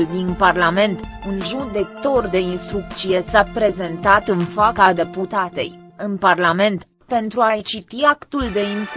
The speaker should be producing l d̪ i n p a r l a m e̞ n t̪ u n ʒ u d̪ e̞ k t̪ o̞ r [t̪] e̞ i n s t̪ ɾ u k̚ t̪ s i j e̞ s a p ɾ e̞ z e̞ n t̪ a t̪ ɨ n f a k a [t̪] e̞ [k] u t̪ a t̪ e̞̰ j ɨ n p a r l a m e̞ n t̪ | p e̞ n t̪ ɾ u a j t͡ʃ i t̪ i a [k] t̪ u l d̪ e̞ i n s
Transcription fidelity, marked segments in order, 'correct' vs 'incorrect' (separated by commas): incorrect, incorrect, incorrect, correct